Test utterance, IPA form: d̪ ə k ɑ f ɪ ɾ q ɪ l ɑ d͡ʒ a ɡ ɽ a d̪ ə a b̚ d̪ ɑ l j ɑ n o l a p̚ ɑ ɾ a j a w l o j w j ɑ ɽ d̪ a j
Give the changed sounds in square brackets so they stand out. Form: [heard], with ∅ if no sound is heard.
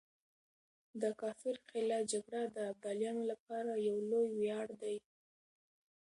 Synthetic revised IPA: d̪ ə k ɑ f ɪ ɾ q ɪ l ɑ d͡ʒ a ɡ ɽ a d̪ ə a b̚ d̪ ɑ l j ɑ n o l a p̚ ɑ ɾ a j a w l o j w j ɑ ɽ d̪ a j